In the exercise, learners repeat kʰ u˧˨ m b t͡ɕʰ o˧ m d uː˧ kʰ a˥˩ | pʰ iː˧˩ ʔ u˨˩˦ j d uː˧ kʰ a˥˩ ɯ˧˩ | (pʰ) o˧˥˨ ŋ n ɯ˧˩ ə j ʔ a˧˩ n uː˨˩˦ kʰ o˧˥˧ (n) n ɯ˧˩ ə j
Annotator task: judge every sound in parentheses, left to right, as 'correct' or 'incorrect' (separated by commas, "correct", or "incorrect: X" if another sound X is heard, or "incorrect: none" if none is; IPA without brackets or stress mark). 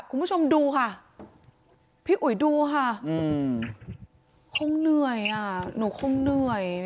incorrect: kʰ, incorrect: ŋ